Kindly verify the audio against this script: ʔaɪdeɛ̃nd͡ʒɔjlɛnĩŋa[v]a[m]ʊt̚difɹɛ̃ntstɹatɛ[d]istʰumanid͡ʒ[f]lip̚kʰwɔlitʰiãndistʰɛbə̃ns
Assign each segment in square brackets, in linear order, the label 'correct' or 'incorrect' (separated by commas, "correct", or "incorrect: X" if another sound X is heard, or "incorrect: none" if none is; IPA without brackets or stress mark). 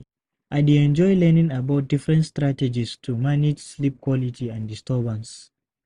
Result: incorrect: b, incorrect: none, incorrect: d͡ʒ, incorrect: s